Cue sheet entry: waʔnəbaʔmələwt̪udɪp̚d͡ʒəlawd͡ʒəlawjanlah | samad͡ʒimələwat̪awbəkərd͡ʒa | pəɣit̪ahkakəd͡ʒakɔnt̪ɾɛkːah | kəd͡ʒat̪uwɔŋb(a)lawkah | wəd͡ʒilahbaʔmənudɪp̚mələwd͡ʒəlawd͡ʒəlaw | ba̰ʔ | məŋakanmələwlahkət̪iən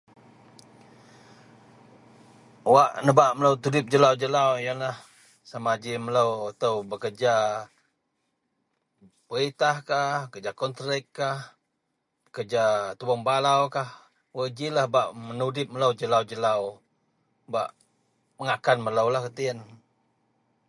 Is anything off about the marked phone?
no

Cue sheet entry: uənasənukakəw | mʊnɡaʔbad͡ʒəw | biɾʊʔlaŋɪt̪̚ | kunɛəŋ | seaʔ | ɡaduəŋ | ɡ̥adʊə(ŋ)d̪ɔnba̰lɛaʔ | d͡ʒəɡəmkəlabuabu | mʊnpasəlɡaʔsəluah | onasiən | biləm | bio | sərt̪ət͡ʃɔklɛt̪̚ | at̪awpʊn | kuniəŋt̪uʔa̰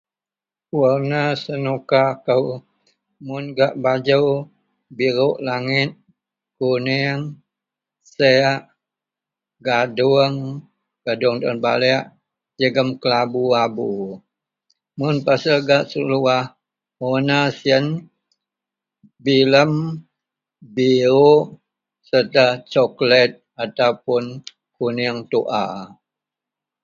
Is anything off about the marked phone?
no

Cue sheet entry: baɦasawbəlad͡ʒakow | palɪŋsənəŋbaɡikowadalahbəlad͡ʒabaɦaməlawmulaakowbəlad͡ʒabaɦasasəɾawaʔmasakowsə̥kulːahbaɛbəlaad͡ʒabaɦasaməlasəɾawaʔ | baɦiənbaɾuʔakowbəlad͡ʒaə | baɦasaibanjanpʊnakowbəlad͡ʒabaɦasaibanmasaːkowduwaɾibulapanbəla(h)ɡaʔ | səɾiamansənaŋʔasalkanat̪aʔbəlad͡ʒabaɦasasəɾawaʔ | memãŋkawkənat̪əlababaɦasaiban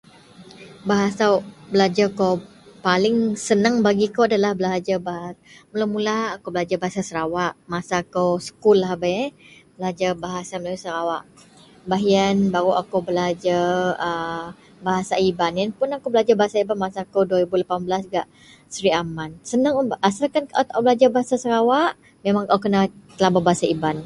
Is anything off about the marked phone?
yes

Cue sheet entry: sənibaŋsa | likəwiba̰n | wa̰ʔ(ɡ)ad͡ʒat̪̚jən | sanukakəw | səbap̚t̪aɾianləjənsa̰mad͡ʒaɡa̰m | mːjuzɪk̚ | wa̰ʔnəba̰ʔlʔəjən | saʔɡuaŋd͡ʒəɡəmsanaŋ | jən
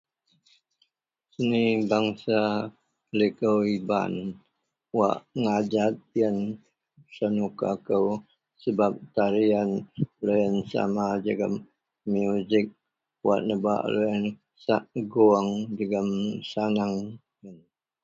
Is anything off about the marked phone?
yes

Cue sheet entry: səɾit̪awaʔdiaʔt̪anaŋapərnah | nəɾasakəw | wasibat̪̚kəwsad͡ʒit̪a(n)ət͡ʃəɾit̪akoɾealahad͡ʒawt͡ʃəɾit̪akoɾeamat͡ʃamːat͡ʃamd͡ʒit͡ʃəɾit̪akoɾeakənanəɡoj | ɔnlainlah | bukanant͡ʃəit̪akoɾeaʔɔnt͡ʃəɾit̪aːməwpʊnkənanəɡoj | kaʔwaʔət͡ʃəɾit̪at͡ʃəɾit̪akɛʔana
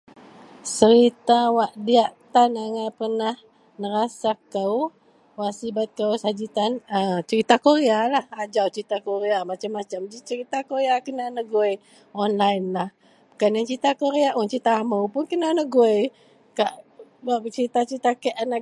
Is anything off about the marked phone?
no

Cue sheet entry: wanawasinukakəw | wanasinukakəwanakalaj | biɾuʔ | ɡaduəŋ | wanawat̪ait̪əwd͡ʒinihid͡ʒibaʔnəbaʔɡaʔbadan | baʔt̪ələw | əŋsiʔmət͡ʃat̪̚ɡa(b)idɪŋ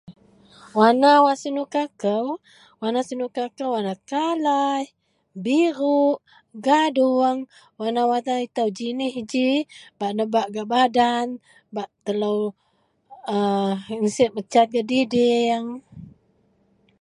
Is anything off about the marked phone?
yes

